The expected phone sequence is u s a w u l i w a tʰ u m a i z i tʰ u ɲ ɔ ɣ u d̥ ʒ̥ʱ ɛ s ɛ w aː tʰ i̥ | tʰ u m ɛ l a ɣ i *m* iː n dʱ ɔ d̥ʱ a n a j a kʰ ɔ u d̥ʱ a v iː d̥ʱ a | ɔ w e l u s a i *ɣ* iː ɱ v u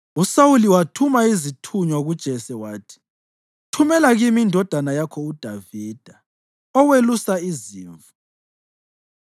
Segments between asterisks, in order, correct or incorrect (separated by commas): correct, incorrect